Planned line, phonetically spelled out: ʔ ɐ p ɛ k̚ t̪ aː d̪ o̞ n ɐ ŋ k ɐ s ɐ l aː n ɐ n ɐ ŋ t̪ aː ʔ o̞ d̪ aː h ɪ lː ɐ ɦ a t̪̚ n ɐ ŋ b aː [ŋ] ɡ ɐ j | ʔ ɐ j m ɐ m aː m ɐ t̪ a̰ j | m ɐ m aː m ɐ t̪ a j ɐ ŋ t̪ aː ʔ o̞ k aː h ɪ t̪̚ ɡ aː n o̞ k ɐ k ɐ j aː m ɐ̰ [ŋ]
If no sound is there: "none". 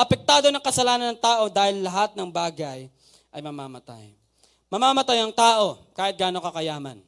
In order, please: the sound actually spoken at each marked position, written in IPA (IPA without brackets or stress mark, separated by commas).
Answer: none, n